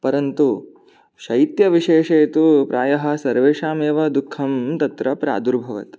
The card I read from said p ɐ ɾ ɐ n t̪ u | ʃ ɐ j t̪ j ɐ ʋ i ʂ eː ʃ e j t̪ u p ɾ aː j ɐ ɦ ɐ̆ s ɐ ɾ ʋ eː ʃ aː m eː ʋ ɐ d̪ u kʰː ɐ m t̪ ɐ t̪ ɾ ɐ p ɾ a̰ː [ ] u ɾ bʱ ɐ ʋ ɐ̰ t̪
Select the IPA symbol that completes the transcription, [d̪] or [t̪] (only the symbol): d̪